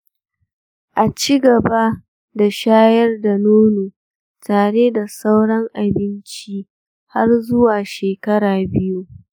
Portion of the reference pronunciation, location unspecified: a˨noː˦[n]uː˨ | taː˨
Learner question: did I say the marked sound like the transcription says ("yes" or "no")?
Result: yes